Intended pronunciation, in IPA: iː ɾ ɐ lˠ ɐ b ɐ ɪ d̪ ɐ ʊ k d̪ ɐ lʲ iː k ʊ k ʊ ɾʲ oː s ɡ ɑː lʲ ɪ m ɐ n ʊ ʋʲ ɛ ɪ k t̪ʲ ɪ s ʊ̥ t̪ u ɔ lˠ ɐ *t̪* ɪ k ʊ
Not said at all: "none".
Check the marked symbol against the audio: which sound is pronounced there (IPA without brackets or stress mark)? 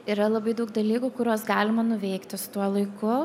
none